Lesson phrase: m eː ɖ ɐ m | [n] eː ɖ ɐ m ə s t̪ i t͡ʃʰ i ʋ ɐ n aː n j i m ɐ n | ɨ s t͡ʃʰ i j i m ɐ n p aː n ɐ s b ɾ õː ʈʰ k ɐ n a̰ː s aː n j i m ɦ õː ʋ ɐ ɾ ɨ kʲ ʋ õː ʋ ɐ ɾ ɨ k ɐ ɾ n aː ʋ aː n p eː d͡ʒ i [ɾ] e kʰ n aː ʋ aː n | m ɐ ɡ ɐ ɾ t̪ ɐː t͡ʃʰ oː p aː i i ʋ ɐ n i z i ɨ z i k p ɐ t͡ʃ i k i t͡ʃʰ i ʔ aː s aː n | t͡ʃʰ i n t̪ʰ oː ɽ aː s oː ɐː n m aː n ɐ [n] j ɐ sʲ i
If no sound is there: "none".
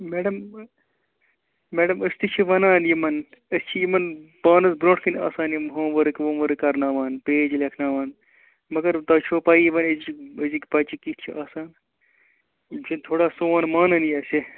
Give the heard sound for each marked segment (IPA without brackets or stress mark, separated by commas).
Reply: m, l, n